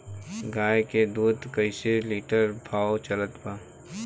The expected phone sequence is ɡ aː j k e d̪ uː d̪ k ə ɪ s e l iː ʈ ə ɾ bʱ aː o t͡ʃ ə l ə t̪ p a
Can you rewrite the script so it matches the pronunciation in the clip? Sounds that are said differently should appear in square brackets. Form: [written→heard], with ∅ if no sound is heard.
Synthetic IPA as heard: ɡ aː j k e d̪ uː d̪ k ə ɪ s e l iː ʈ ə ɾ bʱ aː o t͡ʃ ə l ə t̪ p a